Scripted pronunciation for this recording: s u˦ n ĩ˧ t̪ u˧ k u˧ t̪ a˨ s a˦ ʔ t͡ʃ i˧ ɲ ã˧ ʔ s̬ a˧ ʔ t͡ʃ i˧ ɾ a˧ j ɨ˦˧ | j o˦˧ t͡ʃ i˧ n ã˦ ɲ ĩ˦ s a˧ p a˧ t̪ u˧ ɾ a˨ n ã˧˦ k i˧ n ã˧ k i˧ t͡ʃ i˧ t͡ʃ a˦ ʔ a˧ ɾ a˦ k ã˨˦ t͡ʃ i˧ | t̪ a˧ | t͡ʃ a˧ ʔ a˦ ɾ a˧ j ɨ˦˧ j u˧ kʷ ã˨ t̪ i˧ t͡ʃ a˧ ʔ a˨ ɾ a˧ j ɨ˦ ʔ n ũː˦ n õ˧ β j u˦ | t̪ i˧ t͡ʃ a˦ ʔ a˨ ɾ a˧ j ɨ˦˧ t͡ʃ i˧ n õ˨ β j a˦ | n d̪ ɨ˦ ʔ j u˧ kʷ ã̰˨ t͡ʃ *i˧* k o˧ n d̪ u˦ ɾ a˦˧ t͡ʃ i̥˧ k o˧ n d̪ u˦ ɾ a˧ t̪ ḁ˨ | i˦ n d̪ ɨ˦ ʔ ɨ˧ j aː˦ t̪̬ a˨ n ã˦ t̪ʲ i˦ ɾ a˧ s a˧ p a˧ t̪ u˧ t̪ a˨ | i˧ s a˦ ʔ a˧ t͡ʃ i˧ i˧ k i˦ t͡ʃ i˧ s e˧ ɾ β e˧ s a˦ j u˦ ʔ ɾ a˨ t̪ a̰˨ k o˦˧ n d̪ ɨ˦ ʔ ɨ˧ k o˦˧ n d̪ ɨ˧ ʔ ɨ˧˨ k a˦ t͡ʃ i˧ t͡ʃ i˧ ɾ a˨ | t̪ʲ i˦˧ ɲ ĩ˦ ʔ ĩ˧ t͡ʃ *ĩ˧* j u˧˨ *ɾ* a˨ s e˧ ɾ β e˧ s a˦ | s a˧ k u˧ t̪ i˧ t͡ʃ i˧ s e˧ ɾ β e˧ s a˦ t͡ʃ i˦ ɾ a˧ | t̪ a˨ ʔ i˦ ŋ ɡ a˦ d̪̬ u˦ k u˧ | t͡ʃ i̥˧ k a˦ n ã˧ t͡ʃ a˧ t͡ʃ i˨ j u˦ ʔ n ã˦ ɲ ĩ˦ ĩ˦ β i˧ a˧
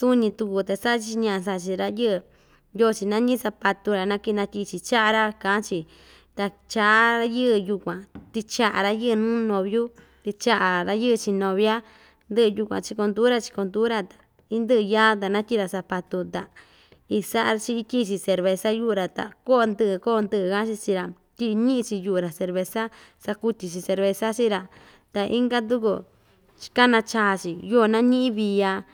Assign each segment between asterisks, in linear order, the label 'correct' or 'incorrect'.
correct, incorrect: i˧, correct

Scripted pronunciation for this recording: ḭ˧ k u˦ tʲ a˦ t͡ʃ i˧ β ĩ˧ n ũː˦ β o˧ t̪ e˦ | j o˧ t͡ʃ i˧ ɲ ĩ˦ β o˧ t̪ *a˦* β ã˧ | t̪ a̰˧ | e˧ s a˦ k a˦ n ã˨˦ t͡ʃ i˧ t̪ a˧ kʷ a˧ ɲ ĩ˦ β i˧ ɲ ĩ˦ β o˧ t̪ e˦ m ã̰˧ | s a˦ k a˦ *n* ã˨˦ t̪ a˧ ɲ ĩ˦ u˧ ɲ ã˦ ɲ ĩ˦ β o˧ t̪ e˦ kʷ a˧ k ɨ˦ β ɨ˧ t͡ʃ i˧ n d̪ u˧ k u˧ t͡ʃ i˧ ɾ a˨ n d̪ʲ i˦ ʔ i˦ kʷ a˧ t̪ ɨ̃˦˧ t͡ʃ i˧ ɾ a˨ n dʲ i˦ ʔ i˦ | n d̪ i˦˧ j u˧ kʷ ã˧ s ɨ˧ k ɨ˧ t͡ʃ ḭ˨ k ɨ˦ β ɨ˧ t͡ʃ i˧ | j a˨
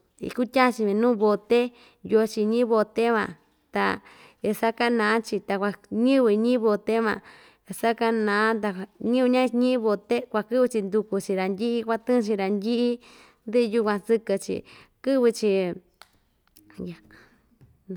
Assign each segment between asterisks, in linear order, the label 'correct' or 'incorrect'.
incorrect: e˦, correct

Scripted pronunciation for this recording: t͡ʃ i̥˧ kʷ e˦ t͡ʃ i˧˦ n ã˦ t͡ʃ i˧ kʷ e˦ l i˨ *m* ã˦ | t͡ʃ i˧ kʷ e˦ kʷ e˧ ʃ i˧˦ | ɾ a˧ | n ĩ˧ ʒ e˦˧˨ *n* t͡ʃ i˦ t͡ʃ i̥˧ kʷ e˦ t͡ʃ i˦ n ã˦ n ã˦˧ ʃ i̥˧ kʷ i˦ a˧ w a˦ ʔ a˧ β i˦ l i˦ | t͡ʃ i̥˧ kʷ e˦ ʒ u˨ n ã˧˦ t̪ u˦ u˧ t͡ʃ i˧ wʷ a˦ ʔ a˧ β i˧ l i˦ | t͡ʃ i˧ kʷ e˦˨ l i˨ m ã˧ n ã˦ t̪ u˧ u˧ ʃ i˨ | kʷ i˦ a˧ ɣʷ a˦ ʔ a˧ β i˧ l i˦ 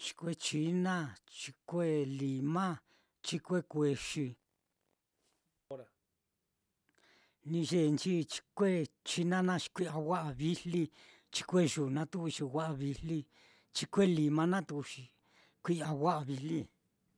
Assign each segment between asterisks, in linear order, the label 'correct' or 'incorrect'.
correct, correct

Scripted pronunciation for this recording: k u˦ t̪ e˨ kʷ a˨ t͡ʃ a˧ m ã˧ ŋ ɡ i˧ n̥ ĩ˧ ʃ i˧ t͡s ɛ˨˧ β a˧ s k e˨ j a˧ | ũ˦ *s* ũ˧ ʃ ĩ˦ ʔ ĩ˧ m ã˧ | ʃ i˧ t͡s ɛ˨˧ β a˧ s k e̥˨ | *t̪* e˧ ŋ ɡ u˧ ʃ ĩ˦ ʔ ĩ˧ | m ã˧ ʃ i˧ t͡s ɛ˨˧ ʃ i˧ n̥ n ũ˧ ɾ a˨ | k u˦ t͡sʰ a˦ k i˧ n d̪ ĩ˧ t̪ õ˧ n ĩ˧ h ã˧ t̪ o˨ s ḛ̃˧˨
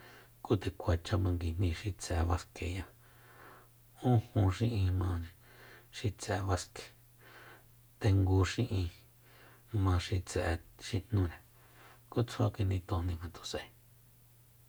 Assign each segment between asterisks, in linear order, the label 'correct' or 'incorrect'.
incorrect: h, correct

